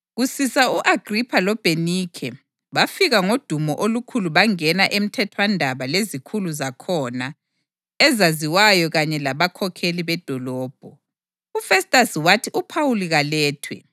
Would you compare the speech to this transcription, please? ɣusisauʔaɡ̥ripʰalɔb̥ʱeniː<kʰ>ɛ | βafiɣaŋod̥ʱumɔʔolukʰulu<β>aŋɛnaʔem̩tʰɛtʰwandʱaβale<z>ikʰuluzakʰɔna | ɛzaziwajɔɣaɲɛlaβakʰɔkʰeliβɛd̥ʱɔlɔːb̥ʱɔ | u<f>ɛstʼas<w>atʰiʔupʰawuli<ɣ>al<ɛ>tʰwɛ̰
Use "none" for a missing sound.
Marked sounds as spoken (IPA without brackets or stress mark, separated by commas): kʰ, β, z, f, w, ɣ, ɛː